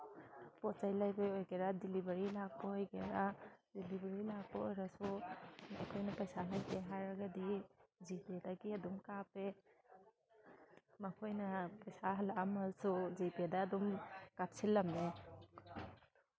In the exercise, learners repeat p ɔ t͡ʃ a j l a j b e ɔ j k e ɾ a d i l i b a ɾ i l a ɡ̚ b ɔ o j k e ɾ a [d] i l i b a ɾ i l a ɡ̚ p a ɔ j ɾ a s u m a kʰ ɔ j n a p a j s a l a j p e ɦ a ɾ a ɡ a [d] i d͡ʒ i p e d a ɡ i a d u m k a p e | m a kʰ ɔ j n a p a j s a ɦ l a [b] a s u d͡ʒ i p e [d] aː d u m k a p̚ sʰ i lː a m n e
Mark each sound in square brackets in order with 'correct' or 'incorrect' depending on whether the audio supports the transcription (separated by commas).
correct, correct, incorrect, correct